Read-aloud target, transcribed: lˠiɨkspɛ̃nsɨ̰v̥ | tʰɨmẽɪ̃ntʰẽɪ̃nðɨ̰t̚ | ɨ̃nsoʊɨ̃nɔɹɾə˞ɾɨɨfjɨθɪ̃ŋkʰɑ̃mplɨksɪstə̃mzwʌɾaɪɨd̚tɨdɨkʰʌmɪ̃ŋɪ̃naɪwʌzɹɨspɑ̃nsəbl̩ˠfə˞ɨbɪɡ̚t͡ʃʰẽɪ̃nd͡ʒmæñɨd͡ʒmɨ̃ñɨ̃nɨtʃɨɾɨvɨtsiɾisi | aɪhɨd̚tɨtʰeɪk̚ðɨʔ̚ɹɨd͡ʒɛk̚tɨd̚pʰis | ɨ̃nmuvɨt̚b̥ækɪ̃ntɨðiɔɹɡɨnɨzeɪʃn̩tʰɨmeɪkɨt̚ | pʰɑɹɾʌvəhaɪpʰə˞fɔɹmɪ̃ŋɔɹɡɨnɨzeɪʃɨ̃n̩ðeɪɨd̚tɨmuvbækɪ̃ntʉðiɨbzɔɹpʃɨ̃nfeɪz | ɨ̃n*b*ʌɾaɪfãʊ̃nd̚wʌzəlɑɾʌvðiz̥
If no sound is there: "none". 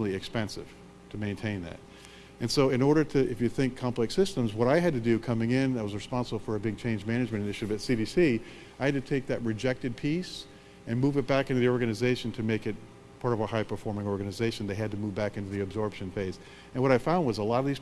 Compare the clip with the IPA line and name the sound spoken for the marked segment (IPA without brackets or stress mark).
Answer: w